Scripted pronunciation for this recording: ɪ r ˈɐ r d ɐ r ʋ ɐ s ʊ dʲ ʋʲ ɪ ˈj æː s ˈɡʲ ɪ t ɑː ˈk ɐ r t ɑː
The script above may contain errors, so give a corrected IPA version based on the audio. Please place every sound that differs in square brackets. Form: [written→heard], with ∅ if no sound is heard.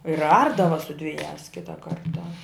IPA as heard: ɪ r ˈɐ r d ɐ [r→∅] ʋ ɐ s ʊ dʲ ʋʲ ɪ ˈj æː s [ˈɡʲ→ˈkʲ] ɪ t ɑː ˈk ɐ r t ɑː